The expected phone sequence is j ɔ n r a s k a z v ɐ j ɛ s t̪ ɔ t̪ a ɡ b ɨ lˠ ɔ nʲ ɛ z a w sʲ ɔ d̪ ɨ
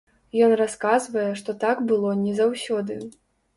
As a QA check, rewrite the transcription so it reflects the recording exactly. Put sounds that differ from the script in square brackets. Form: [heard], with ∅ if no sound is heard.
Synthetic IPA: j ɔ n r a s k a z v ɐ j ɛ [ʂ] t̪ ɔ t̪ a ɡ b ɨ lˠ ɔ nʲ ɛ z a w sʲ ɔ d̪ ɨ